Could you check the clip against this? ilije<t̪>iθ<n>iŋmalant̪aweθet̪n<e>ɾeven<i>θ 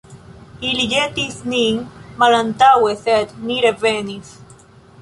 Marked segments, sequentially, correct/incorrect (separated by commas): correct, correct, incorrect, correct